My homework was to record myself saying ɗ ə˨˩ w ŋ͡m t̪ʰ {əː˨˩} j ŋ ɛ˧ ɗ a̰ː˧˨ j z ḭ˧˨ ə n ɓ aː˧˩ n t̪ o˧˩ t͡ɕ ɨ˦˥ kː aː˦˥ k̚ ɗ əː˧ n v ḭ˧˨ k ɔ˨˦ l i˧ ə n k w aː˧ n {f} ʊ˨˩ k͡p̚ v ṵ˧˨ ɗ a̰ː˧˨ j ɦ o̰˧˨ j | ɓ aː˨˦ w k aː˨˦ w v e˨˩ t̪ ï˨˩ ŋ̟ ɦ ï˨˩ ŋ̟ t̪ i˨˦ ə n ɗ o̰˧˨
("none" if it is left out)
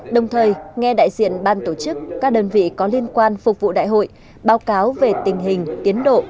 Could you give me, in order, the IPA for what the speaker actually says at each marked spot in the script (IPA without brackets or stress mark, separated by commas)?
əː˨˩, f